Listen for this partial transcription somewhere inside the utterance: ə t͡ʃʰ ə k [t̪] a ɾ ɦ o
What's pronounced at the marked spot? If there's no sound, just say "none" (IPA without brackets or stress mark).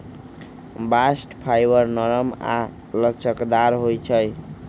d̪